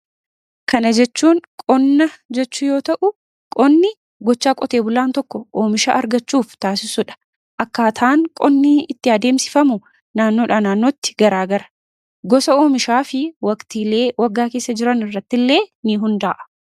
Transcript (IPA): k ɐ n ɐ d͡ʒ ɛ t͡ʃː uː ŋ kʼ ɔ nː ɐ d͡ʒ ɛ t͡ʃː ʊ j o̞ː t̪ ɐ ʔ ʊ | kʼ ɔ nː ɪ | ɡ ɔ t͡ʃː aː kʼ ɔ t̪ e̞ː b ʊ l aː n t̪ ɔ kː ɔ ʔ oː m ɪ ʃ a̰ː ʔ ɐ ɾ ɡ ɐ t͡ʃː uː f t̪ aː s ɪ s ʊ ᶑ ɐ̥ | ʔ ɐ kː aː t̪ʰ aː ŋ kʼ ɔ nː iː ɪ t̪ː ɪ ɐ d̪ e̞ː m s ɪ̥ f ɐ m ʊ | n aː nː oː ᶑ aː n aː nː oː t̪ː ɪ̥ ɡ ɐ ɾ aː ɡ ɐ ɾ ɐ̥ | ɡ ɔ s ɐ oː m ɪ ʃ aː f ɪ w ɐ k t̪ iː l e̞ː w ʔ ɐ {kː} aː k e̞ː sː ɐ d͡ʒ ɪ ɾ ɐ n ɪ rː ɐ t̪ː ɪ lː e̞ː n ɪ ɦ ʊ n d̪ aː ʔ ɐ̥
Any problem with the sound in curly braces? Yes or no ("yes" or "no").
yes